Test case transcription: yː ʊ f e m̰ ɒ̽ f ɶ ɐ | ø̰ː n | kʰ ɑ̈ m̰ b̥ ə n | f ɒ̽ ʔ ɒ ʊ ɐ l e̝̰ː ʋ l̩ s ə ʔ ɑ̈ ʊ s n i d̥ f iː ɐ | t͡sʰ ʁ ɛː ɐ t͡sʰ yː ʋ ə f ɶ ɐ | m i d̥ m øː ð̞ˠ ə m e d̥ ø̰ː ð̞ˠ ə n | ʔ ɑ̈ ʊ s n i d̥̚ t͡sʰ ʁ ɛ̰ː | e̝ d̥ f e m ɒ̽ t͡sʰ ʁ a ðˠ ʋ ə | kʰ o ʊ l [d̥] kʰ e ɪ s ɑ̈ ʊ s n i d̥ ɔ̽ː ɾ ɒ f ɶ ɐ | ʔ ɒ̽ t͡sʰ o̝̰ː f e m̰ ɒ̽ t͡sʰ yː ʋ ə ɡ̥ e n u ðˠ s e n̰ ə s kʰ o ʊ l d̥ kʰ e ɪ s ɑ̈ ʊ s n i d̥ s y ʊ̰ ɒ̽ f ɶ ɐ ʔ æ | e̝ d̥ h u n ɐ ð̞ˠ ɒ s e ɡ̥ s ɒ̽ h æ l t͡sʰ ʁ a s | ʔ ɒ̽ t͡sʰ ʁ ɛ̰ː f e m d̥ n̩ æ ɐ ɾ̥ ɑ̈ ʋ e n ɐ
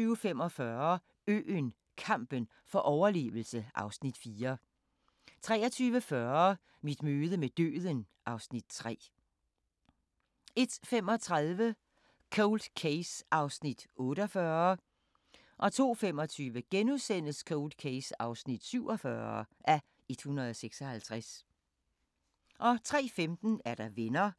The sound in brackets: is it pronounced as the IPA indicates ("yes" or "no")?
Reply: yes